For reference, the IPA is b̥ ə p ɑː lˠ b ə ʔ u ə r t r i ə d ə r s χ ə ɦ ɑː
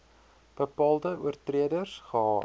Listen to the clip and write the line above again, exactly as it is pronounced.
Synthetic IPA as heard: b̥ ə p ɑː lˠ d ə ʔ u ə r t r i ə d ə r s χ ə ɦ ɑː